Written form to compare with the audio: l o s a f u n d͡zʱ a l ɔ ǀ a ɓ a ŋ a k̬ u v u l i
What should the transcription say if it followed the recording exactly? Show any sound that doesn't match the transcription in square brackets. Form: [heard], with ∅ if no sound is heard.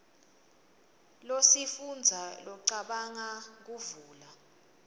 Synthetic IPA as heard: l o s [i] f u n d͡zʱ a l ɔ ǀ a ɓ a ŋ a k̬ u v [uː] l [a]